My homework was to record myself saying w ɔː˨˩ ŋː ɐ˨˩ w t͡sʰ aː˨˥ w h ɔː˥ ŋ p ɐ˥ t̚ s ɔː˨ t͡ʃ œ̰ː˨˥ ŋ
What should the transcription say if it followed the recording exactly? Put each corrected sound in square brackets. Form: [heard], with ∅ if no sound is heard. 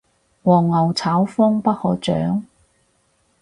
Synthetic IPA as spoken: w ɔː˨˩ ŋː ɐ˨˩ w t͡sʰ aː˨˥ w [f] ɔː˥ ŋ p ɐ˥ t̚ [h] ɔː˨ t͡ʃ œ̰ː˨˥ ŋ